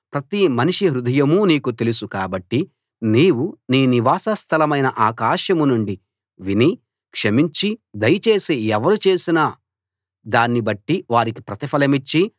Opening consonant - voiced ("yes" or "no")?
no